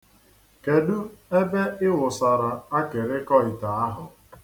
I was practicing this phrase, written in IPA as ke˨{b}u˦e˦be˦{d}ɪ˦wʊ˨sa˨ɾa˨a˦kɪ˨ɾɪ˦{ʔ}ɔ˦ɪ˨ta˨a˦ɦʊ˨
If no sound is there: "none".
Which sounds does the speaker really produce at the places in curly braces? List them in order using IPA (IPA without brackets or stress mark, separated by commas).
d, none, k